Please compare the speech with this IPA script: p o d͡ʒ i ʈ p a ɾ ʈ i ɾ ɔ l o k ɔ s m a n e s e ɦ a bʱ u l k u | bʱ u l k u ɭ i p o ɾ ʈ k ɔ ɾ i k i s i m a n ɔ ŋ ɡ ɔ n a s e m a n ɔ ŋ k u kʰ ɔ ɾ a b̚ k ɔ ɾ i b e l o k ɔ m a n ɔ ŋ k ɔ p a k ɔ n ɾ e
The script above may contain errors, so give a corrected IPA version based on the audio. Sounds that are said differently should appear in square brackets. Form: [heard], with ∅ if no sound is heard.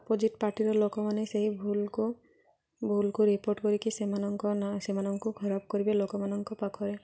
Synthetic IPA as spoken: p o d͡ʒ i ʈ p a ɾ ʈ i ɾ ɔ l o k ɔ [∅] m a n e s e ɦ [i] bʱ u l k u | bʱ u l k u [ɾ] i p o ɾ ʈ k ɔ ɾ i k i s [e] m a n ɔ ŋ [k] ɔ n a s e m a n ɔ ŋ k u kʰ ɔ ɾ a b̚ k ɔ ɾ i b e l o k ɔ m a n ɔ ŋ k ɔ p a [kʰ] ɔ [∅] ɾ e